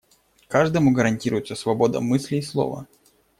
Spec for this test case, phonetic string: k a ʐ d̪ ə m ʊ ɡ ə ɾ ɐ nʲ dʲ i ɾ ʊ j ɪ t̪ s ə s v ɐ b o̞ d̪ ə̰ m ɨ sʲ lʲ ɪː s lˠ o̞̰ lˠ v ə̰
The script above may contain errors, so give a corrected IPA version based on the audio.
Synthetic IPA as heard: k a ʐ d̪ ə m ʊ ɡ ə ɾ ɐ nʲ tʲ i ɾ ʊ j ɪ t̪ s ə s v ɐ b o̞ d̪ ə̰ m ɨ sʲ lʲ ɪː s lˠ o̞̰ v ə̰

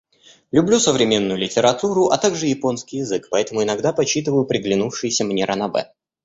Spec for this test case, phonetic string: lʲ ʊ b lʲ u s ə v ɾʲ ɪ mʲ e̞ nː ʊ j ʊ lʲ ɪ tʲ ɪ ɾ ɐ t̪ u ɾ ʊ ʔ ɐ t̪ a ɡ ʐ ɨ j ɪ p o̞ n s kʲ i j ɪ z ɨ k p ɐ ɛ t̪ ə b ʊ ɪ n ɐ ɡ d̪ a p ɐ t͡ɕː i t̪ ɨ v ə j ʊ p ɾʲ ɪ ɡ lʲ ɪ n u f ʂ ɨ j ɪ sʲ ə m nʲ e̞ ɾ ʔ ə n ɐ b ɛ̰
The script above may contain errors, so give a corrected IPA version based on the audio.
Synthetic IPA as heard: lʲ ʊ b lʲ u s ə v ɾʲ ɪ mʲ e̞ nː ʊ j ʊ lʲ ɪ tʲ ɪ ɾ ɐ t̪ u ɾ ʊ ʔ ɐ t̪ a ɡ ʐ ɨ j ɪ p o̞ n s kʲ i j ɪ z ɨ k p ɐ ɛ t̪ ə m ʊ ɪ n ɐ ɡ d̪ a p ɐ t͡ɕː i t̪ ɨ v ə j ʊ p ɾʲ ɪ ɡ lʲ ɪ n u f ʂ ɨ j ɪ sʲ ə m nʲ e̞ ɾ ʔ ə n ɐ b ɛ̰

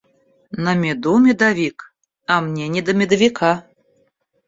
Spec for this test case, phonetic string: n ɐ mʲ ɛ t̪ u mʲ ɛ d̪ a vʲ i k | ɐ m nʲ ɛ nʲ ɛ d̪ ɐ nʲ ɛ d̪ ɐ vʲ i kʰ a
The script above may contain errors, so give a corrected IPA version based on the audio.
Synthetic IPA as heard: n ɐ mʲ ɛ d̪ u mʲ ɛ d̪ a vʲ i k | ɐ m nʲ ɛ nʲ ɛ d̪ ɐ mʲ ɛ d̪ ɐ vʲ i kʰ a

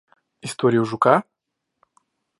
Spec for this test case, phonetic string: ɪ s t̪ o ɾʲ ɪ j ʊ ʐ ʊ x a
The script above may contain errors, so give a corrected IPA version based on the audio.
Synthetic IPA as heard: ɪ s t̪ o ɾʲ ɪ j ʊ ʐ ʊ k a

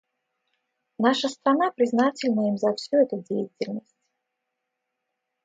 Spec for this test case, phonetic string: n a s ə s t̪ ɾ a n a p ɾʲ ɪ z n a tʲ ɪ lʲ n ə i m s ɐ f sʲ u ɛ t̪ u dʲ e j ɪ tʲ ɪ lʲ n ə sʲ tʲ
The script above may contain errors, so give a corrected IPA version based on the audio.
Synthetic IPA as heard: n a ʂ ə s t̪ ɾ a n a p ɾʲ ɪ z n a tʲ ɪ lʲ n ə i m z ɐ f sʲ u ɛ t̪ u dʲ e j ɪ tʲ ɪ lʲ n ə sʲ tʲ

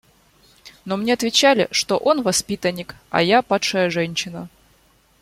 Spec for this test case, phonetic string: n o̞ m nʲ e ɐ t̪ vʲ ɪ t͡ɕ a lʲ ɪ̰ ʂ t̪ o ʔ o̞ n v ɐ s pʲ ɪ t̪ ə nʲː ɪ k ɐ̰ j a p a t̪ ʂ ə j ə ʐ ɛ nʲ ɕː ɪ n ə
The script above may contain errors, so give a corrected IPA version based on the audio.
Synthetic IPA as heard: n o̞ m nʲ e ɐ t̪ vʲ ɪ t͡ɕ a lʲ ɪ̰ ʂ t̪ o ʔ o̞ n v ɐ s pʲ i t̪ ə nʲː ɪ k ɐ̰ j a p a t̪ ʂ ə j ə ʐ ɛ nʲ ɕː ɪ n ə

